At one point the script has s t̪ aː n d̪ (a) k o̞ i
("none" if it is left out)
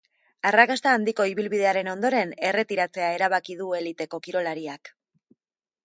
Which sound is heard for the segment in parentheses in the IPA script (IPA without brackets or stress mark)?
i